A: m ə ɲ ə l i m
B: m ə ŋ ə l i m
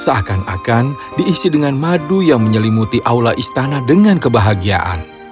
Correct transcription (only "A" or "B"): A